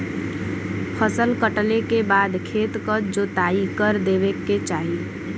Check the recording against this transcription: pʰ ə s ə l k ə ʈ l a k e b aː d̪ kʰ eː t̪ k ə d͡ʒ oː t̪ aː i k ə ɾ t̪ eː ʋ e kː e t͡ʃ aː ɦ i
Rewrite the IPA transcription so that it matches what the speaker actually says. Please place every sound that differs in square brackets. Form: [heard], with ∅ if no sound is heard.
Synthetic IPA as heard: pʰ ə s ə l k ə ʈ l [e] k e b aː d̪ kʰ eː t̪ k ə d͡ʒ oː t̪ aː i k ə ɾ [d̪] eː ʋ e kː e t͡ʃ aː ɦ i